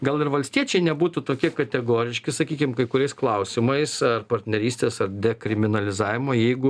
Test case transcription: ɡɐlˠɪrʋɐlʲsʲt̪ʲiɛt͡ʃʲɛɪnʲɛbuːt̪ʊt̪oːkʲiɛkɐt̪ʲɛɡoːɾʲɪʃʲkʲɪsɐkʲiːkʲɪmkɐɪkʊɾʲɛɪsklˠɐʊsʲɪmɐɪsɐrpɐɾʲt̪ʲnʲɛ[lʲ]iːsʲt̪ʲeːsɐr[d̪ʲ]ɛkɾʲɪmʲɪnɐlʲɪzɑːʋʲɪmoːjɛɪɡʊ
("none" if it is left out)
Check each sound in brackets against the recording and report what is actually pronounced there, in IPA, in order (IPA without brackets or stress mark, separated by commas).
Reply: ɾʲ, d̪ʲ